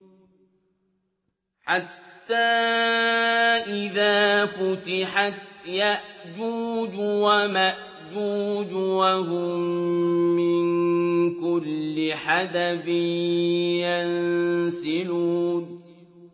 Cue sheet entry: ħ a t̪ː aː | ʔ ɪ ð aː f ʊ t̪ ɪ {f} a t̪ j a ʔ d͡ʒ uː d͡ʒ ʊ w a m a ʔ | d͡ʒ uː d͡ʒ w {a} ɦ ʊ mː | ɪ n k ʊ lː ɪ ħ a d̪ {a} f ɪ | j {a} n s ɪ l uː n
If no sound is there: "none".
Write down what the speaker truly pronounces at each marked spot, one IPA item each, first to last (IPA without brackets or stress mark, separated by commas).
ħ, a, a, a